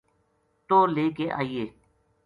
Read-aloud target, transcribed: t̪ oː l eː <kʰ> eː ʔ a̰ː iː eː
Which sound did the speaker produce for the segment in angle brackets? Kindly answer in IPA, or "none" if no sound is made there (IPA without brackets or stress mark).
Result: k